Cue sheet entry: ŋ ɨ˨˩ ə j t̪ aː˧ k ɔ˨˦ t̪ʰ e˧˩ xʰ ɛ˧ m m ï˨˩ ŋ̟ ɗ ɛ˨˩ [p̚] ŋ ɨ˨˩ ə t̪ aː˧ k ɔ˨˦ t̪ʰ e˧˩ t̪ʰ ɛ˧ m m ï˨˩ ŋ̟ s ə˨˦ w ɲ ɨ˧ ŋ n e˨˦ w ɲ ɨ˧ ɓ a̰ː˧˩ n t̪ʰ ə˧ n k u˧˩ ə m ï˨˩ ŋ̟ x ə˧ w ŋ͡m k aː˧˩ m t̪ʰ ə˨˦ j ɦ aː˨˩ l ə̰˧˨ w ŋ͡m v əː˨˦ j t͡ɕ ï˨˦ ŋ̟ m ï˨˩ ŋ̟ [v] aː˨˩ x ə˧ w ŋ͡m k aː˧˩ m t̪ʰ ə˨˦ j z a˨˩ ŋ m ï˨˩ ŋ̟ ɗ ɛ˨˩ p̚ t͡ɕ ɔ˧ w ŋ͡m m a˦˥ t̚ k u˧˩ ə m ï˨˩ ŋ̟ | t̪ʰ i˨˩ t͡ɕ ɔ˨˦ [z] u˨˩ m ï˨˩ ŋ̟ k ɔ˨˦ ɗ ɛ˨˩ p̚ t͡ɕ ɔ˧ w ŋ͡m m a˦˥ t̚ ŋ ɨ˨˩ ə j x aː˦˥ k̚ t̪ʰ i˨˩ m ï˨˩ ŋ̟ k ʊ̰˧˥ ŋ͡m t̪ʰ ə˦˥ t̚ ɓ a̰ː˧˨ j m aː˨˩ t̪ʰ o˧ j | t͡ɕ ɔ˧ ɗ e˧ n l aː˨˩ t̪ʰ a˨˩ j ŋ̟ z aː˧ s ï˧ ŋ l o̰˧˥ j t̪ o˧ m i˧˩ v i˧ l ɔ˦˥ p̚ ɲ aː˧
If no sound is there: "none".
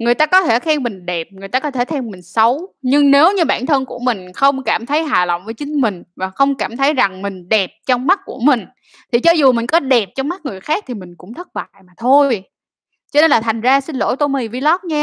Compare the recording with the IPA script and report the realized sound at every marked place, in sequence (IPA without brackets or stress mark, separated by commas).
p̚, v, z